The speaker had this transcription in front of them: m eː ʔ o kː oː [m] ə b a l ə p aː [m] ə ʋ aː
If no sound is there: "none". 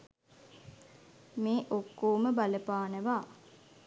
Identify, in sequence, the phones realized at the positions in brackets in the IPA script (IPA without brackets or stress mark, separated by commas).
m, n